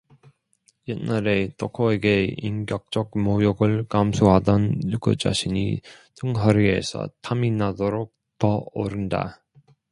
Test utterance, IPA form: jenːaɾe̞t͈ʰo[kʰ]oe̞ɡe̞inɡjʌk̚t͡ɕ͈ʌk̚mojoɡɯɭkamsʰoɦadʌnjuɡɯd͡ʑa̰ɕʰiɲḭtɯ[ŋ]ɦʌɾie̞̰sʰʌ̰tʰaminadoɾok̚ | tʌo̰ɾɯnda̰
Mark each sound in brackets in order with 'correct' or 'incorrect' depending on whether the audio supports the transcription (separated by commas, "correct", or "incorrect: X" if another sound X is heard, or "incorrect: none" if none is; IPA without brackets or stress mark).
correct, correct